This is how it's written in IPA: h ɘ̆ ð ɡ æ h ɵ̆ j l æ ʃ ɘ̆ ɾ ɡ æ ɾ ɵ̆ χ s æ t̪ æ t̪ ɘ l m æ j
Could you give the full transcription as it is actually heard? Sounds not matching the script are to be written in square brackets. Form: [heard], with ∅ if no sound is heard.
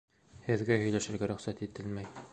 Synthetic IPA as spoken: h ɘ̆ ð ɡ æ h ɵ̆ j l æ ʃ ɘ̆ ɾ ɡ æ ɾ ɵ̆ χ s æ t̪ [i] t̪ ɘ l m æ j